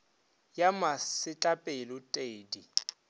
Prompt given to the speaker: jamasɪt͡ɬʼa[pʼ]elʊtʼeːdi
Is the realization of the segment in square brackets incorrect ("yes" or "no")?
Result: no